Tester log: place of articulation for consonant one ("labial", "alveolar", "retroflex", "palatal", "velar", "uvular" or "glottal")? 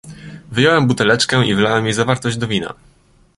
labial